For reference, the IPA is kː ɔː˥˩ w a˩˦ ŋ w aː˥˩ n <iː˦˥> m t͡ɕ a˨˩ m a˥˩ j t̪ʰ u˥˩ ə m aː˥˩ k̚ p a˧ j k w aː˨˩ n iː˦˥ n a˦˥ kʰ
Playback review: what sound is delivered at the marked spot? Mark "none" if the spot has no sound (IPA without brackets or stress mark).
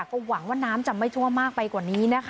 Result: aː˦˥